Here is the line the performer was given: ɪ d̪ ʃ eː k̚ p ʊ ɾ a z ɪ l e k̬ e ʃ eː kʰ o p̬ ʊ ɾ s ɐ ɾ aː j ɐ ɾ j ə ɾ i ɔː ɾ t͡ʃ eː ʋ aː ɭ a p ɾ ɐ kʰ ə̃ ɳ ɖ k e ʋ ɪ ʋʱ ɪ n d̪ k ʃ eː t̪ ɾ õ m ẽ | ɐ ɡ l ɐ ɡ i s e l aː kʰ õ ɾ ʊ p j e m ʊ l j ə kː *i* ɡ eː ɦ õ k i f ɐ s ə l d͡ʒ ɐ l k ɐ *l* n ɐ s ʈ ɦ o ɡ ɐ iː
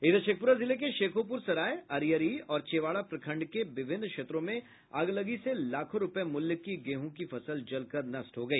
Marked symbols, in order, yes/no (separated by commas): yes, no